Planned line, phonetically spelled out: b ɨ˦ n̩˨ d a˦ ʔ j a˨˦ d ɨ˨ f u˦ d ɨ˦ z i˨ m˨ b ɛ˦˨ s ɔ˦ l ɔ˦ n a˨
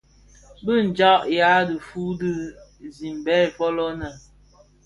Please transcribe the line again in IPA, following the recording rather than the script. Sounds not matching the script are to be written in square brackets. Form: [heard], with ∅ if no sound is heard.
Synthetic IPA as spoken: b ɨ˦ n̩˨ [d͡ʒ] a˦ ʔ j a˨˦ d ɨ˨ f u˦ d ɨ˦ z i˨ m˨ b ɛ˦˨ [f] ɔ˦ l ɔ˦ n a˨